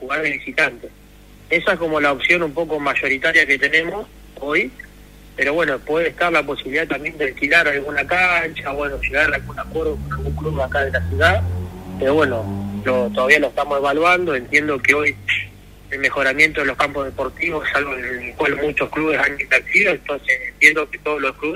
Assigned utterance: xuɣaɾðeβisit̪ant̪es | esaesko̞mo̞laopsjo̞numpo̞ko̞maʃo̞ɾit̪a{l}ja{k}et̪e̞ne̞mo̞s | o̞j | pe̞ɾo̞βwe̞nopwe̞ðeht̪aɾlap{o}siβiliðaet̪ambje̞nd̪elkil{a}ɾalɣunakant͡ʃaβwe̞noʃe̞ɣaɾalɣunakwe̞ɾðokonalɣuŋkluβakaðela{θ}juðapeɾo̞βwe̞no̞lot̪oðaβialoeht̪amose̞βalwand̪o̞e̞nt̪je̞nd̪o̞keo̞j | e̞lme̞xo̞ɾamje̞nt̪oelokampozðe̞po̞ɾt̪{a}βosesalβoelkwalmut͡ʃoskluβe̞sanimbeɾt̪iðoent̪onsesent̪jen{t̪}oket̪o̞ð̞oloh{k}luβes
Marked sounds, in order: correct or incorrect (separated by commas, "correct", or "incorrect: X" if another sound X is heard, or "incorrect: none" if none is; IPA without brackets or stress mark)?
incorrect: ɾ, correct, correct, correct, incorrect: s, incorrect: i, incorrect: d̪, correct